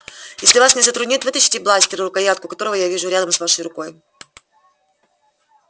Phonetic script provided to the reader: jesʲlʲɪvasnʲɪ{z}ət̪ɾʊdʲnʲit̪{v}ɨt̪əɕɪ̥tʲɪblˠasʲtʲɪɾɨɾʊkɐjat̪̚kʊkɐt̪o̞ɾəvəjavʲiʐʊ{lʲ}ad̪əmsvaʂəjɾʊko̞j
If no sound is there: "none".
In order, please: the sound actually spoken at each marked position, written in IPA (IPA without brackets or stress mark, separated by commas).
z, v, ɾʲ